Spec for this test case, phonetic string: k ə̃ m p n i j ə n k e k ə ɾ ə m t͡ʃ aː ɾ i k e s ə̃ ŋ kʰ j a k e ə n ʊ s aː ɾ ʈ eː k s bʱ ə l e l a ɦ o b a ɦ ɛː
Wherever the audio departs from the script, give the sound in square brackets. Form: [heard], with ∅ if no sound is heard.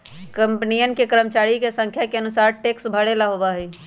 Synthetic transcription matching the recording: k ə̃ m p n i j ə n k e k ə ɾ ə m t͡ʃ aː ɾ i k e s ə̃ ŋ kʰ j a k e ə n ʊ s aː ɾ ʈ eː k s bʱ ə [ɽ] e l a ɦ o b a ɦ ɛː